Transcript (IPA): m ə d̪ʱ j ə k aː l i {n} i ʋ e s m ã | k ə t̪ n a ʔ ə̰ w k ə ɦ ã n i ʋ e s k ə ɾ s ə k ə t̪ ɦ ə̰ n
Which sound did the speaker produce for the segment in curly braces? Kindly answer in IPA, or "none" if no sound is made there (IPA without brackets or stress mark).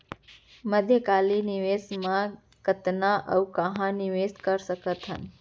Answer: n